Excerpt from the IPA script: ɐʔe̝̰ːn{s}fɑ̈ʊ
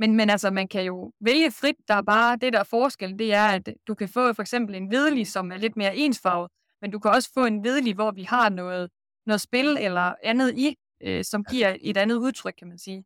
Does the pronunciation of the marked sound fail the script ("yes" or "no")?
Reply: no